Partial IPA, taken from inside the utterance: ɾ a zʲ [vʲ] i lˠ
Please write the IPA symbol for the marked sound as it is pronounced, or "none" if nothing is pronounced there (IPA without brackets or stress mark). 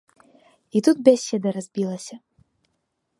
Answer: bʲ